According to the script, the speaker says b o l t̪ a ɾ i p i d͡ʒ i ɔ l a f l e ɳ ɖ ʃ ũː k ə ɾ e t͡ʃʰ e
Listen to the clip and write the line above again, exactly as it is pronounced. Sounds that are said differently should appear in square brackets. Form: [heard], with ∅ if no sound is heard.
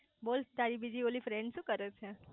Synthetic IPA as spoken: b o l t̪ a ɾ i [b] i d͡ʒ i [o] l [i] f [ɾ] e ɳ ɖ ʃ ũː k ə ɾ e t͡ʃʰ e

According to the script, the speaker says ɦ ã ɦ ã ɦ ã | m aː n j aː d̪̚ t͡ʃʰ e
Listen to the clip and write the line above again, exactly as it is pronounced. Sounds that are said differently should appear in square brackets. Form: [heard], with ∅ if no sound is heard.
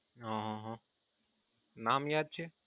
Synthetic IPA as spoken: ɦ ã ɦ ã ɦ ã | [n] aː [m] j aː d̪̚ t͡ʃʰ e

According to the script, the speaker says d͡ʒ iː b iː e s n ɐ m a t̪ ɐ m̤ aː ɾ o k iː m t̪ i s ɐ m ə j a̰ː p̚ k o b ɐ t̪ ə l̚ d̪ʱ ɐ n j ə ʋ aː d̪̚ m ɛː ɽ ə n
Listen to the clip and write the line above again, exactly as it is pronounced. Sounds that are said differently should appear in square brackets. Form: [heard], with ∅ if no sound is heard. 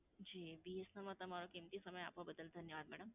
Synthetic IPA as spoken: d͡ʒ iː b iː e s n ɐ m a t̪ ɐ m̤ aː ɾ o k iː m t̪ i s ɐ m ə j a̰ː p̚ k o b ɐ [d̪] ə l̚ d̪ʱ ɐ n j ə ʋ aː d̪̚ m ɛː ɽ ə [m]

